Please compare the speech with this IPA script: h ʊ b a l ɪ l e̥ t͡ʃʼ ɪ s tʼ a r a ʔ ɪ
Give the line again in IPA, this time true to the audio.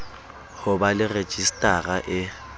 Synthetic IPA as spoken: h ʊ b a l ɪ r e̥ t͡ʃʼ i s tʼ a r a ʔ ɪ

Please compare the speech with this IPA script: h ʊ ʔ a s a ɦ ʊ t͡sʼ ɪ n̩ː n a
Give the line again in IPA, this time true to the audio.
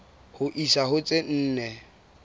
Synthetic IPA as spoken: h ʊ ʔ i s a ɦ ʊ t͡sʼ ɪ n̩ː n ɛ

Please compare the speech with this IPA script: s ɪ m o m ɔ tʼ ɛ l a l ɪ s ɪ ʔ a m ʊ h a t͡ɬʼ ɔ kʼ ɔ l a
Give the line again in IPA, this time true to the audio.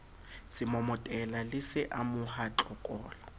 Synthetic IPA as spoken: s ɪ m ɔ m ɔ tʼ ɛ l a l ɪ s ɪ ʔ a m ʊ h a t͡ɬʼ ɔ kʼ ɔː l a

